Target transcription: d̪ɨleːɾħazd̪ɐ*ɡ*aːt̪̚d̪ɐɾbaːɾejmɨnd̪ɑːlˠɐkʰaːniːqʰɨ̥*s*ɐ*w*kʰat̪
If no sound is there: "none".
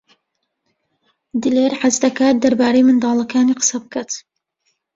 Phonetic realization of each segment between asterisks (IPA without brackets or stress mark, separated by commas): k, s, b